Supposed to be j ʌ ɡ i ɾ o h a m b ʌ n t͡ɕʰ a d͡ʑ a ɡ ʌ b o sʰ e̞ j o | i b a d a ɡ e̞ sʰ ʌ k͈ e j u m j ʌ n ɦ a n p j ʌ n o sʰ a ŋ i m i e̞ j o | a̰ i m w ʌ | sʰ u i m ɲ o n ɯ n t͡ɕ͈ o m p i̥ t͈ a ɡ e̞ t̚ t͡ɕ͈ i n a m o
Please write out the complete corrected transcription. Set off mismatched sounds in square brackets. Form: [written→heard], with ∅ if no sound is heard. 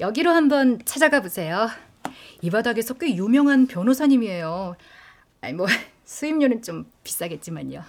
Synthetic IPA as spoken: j ʌ ɡ i ɾ o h a m b ʌ n t͡ɕʰ a d͡ʑ a ɡ [ʌ→a] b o sʰ e̞ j o | i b a d a ɡ e̞ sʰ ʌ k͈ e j u m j ʌ [n→ŋ] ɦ a n p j ʌ n o sʰ a [ŋ→ɲ] i m i e̞ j o | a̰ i m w ʌ | sʰ u i m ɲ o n ɯ n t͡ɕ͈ o m p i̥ [t͈→s͈] a ɡ e̞ t̚ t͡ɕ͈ i [n→m] a [m→ɲ] o